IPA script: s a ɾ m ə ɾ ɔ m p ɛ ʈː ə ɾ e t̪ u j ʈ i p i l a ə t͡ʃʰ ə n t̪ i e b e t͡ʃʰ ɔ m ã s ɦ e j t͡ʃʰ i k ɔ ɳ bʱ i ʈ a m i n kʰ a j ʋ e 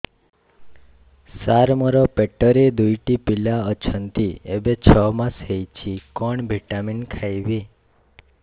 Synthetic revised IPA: s a ɾ m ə ɾ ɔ p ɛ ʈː ə ɾ e d̪ u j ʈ i p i l a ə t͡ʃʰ ə n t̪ i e b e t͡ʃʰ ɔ m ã s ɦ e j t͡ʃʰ i k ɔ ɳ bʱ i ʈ a m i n kʰ a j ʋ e